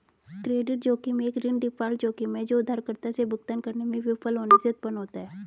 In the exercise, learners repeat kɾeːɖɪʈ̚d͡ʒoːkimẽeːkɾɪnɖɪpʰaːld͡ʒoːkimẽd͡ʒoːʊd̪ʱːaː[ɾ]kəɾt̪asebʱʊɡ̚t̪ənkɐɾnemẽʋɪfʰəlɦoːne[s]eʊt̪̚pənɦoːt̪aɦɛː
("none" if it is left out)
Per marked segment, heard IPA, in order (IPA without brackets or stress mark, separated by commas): ɾ, s